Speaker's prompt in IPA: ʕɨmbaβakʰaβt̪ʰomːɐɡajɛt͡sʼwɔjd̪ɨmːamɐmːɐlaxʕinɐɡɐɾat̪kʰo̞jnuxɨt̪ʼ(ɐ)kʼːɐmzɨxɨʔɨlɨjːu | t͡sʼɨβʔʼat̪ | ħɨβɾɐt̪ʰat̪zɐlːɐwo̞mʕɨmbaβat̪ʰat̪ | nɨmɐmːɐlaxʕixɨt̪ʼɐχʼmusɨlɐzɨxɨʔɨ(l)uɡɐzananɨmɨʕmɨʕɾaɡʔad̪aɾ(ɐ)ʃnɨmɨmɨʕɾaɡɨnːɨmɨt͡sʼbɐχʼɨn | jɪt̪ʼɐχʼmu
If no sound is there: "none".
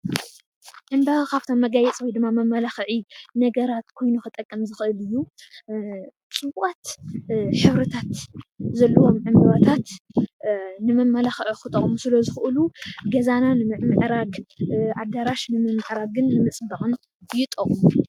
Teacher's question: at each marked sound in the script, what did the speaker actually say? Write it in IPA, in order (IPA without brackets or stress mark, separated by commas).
ɐ, l, a